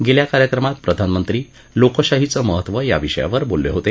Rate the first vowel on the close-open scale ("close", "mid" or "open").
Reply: mid